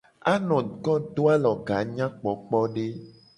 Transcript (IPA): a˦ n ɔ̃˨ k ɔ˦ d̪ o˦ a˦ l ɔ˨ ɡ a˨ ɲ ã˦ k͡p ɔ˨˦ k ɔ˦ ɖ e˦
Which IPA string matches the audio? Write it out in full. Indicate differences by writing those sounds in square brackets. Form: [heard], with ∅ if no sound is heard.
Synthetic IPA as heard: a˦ n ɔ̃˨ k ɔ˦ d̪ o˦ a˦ l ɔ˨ ɡ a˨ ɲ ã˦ k͡p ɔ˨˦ [k͡p] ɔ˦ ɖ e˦